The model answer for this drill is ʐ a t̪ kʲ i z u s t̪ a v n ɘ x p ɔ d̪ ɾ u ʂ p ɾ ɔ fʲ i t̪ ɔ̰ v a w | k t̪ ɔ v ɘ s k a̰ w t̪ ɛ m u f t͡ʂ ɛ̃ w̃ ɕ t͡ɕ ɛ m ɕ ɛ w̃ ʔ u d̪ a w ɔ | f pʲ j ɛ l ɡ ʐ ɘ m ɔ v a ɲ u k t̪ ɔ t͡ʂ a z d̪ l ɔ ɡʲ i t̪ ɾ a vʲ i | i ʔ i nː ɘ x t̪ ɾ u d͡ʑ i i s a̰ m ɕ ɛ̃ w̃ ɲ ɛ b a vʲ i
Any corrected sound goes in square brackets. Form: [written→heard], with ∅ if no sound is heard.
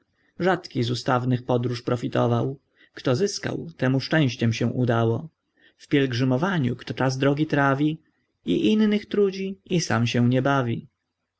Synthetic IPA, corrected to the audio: ʐ a t̪ kʲ i z u s t̪ a v n ɘ x p ɔ d̪ ɾ u ʂ p ɾ ɔ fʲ i t̪ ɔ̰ v a w | k t̪ ɔ [v→z] ɘ s k a̰ w t̪ ɛ m u [f→ʂ] t͡ʂ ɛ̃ w̃ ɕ t͡ɕ ɛ m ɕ ɛ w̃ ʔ u d̪ a w ɔ | f pʲ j ɛ l ɡ ʐ ɘ m ɔ v a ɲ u k t̪ ɔ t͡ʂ a z d̪ [l→ɾ] ɔ ɡʲ i t̪ ɾ a vʲ i | i ʔ i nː ɘ x t̪ ɾ u d͡ʑ i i s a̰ m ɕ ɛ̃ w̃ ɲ ɛ b a vʲ i